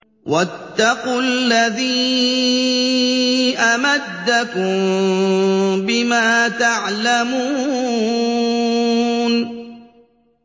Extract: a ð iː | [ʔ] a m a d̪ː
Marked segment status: correct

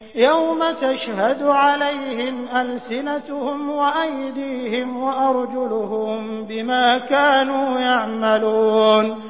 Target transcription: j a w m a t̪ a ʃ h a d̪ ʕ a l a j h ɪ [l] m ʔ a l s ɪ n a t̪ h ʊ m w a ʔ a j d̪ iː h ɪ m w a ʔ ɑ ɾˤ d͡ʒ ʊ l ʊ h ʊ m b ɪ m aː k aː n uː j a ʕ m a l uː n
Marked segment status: incorrect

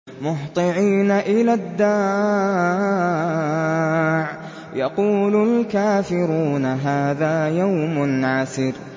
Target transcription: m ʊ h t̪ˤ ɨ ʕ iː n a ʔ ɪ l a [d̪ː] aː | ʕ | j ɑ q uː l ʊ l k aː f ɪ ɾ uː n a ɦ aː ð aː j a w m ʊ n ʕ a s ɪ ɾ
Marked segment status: correct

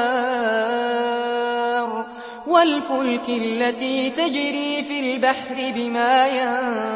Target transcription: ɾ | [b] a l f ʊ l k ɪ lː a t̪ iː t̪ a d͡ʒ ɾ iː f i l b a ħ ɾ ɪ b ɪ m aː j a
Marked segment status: incorrect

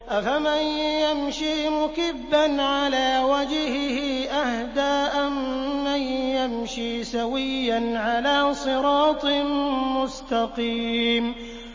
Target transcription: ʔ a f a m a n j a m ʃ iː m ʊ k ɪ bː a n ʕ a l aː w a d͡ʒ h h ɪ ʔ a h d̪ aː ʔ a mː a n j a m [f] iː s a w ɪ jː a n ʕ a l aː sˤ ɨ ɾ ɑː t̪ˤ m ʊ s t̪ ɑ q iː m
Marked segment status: incorrect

